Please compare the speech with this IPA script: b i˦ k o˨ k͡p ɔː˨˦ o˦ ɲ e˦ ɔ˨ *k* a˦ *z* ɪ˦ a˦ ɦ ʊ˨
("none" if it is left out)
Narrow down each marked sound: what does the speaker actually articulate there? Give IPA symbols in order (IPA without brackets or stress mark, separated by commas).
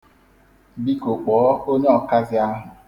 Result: k, z